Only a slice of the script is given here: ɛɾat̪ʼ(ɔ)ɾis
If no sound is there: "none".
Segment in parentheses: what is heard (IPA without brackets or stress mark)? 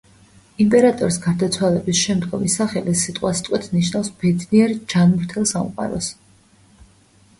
ɔ